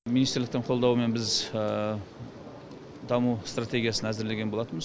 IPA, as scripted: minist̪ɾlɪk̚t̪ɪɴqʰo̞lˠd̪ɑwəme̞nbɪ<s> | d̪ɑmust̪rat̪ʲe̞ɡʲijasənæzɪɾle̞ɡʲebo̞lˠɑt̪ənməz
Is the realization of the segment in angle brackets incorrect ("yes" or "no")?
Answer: yes